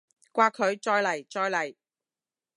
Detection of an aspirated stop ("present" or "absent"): present